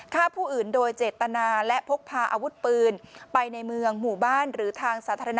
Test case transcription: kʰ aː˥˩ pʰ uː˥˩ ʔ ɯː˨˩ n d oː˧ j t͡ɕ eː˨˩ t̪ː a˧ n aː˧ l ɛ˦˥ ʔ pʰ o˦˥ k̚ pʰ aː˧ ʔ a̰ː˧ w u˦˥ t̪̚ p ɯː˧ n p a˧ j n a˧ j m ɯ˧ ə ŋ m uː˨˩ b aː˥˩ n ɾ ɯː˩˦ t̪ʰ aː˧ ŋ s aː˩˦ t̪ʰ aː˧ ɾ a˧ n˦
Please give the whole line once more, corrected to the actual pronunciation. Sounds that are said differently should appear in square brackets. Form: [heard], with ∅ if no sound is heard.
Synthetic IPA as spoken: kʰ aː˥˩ pʰ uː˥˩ ʔ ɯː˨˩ n d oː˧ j t͡ɕ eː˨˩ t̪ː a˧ n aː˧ l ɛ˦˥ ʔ pʰ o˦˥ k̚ pʰ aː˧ ʔ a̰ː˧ w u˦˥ t̪̚ p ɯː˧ n p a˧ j n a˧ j m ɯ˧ ə ŋ m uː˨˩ b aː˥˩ n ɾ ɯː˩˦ t̪ʰ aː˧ ŋ s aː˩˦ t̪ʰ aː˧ ɾ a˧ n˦